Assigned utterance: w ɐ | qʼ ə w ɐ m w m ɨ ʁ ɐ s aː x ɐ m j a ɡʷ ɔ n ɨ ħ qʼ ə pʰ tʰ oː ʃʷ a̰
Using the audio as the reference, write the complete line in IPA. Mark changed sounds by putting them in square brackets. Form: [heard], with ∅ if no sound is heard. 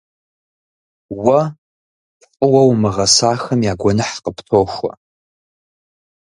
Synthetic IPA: w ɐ | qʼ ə w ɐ [∅] w m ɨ ʁ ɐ s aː x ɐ m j a ɡʷ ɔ n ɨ ħ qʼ ə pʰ tʰ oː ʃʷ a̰